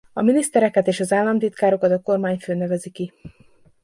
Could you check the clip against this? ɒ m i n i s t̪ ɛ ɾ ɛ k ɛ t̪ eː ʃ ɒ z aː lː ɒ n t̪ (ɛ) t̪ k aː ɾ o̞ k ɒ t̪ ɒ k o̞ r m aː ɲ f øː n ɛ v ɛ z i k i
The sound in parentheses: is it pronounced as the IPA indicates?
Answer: no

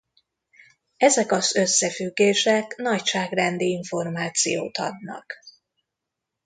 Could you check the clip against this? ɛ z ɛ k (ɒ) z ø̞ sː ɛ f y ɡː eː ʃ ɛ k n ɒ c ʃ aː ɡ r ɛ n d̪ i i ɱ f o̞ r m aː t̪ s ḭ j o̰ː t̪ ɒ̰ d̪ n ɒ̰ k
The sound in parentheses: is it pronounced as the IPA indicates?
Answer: yes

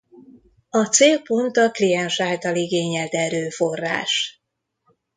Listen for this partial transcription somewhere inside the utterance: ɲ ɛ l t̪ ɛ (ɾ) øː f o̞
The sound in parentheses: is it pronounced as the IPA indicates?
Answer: yes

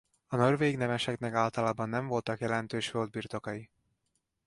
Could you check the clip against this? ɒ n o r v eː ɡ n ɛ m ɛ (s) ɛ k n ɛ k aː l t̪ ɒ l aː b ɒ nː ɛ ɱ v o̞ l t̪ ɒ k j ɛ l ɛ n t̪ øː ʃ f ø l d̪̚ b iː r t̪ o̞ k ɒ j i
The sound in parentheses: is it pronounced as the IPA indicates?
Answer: no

